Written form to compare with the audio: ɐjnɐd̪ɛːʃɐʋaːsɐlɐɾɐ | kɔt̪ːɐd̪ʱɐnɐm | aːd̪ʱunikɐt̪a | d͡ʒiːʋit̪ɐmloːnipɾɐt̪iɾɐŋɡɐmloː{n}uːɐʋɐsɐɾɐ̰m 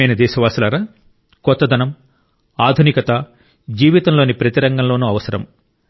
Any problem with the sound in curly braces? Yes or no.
no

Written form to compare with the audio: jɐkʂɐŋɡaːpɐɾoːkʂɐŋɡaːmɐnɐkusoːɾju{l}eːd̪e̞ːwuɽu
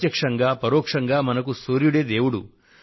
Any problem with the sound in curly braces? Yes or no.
yes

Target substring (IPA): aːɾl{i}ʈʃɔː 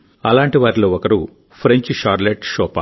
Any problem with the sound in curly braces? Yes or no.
yes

